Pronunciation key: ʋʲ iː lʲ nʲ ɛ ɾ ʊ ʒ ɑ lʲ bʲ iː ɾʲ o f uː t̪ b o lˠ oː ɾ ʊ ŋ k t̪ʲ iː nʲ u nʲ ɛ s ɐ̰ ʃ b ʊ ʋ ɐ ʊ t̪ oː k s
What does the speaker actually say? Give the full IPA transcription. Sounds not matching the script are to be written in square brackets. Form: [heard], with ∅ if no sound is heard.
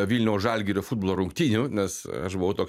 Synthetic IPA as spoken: ʋʲ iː lʲ nʲ ɛ [∅] ʊ ʒ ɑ lʲ [ɡʲ] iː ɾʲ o f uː [d̪] b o lˠ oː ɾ ʊ ŋ k t̪ʲ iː nʲ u nʲ ɛ s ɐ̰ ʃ b ʊ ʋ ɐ ʊ t̪ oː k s